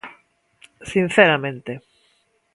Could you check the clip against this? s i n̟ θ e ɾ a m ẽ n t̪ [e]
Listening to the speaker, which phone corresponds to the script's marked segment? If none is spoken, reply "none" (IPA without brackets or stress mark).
e